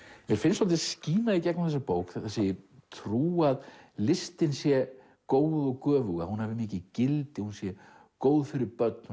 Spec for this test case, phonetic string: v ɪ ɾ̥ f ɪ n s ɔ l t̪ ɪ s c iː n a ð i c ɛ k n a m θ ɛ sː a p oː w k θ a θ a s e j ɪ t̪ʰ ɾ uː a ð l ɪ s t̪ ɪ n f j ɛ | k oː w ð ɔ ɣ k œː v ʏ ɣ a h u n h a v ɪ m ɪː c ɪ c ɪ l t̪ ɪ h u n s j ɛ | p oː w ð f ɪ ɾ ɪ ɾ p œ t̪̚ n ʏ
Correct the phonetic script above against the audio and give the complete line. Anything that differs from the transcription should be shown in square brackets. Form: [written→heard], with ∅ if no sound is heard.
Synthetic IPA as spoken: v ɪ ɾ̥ f ɪ n s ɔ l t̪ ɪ s c iː n a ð i c ɛ k n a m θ ɛ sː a p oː w k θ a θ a s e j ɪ t̪ʰ ɾ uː a ð l ɪ s t̪ ɪ n [f→s] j ɛ | k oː w ð ɔ ɣ k œː v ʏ ɣ a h u n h a v ɪ m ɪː c ɪ c ɪ l t̪ ɪ h u n s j ɛ | [p→k] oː w ð f ɪ ɾ ɪ ɾ p œ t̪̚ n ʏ